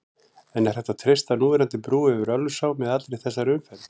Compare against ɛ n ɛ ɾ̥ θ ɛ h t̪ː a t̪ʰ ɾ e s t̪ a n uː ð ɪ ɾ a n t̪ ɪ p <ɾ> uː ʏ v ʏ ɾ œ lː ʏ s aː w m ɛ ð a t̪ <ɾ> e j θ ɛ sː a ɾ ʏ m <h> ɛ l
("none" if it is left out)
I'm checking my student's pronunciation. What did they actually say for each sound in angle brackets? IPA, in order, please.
ɾ, ɾ, f

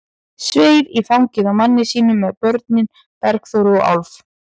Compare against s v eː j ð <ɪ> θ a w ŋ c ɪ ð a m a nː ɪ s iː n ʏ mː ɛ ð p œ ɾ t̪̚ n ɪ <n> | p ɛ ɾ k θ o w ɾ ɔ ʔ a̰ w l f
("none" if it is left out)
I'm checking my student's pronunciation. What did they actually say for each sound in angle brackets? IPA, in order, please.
i, n

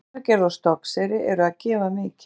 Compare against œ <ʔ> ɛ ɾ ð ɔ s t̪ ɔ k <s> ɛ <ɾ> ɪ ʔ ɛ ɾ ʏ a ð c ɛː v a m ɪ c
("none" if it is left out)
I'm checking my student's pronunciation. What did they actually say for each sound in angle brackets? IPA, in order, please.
c, s, ɾ

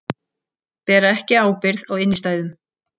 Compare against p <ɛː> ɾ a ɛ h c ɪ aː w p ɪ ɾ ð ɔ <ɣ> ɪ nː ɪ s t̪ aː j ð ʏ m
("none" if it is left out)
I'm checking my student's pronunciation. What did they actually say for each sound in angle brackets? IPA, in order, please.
ɛː, ɣ

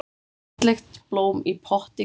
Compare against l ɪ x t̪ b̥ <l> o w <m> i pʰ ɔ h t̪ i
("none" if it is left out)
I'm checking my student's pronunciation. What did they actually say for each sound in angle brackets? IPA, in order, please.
l, m

